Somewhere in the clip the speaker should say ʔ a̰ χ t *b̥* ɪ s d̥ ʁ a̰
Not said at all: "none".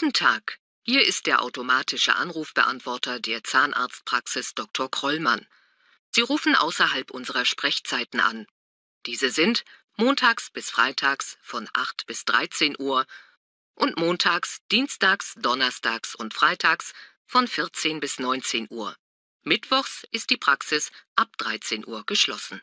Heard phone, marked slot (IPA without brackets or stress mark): b̥